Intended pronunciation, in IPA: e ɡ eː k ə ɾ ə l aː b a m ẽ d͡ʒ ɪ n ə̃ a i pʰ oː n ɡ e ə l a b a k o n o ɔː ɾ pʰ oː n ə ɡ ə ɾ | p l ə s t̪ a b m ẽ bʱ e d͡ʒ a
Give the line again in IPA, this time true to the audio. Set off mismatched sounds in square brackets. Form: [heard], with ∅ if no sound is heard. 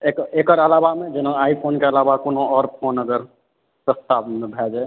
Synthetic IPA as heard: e [k] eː k ə ɾ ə l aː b a m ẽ d͡ʒ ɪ n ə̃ a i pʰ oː n [k] e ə l a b a k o n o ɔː ɾ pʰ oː n ə ɡ ə ɾ | p [ɾ] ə s t̪ a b m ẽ bʱ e d͡ʒ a